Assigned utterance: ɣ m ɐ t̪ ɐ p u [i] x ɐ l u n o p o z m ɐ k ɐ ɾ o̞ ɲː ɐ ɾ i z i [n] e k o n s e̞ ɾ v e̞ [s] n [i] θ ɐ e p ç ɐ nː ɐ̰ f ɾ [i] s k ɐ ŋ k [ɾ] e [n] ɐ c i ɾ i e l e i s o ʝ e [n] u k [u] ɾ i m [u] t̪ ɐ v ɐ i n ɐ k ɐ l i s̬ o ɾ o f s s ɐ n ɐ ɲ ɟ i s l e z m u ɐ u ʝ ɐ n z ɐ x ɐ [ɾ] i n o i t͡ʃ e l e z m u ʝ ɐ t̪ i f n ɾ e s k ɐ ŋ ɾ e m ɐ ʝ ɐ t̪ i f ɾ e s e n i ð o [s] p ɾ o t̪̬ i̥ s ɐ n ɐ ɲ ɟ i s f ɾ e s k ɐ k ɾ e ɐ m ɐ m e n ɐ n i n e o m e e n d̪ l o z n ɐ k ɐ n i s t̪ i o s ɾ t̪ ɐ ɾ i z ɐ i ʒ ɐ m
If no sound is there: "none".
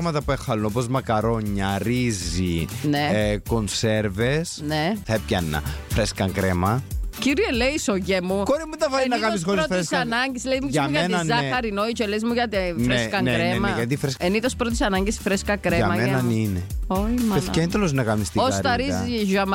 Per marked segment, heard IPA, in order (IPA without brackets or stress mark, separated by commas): e, n, s, e, e, ɾ, m, m, o, u, ɾ, s